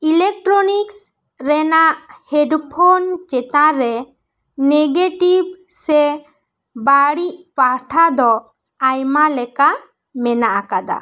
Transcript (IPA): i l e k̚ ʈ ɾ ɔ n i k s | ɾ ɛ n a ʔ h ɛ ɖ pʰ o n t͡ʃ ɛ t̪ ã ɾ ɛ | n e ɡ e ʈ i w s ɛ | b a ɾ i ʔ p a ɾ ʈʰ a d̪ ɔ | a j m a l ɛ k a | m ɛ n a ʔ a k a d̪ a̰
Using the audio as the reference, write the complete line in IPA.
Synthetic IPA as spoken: i l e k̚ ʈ ɾ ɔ n i k s | ɾ ɛ n a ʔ h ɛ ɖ pʰ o n t͡ʃ ɛ t̪ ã ɾ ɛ | n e ɡ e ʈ i b s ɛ | b a ɽ i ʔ p a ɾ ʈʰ a d̪ ɔ | a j m a l ɛ k a | m ɛ n a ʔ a k a d̪ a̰